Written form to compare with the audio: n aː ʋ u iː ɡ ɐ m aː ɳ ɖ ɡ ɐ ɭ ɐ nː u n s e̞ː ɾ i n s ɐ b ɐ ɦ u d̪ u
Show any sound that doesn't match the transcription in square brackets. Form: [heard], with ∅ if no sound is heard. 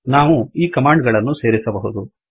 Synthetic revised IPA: n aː ʋ u iː [k] ɐ m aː ɳ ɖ ɡ ɐ ɭ ɐ nː u [∅] s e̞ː ɾ i [∅] s ɐ b ɐ ɦ u d̪ u